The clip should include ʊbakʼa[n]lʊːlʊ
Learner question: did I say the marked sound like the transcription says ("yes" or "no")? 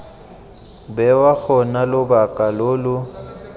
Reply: no